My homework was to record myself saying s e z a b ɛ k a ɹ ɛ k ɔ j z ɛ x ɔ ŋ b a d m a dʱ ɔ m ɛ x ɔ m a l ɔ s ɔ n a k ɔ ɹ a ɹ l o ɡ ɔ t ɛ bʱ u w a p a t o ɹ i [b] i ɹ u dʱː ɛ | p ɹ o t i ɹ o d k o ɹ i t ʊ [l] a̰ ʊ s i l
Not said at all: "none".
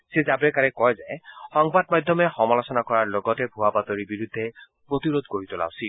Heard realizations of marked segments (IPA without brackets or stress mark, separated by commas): b, l